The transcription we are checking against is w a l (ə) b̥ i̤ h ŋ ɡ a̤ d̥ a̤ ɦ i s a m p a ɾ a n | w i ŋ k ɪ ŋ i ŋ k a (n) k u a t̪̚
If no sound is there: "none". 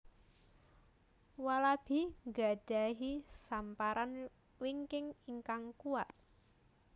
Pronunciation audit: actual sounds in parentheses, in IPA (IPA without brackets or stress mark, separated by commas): a, ŋ